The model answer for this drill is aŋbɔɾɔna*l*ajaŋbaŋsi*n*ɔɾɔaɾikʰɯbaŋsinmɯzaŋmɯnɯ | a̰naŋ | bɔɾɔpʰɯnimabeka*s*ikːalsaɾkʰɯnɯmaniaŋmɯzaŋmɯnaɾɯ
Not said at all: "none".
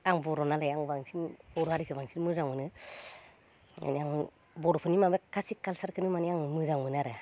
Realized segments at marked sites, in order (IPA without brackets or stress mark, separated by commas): l, n, s